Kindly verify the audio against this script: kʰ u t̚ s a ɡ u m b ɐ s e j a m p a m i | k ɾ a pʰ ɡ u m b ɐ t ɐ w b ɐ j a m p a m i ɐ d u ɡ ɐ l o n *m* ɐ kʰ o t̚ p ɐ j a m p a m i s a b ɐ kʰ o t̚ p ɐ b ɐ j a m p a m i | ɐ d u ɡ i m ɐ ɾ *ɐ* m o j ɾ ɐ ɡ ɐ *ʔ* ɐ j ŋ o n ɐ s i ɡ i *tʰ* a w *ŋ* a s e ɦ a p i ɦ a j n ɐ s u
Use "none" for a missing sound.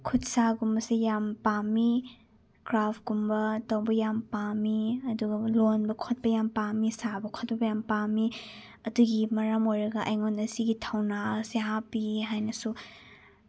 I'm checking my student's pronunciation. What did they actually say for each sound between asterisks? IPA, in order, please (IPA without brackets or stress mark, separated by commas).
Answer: b, a, ʔ, tʰ, n